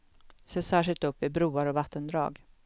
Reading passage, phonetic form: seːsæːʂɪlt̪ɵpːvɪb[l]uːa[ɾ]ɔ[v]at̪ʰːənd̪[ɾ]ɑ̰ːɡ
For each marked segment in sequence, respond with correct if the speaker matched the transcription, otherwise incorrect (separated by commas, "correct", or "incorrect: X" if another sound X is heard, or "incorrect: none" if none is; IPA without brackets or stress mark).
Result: incorrect: ɾ, correct, correct, correct